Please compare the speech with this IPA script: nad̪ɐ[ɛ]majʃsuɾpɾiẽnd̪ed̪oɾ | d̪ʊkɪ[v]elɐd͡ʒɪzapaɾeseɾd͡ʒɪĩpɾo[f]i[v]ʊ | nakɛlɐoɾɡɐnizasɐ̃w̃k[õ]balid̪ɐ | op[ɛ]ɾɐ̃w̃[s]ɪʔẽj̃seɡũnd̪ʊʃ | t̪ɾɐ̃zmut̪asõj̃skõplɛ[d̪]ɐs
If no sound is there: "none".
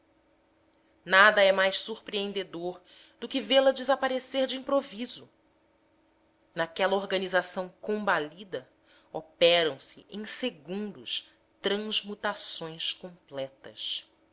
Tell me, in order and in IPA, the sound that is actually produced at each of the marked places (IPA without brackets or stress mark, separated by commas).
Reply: ɛ, v, v, z, õ, ɛ, s, t̪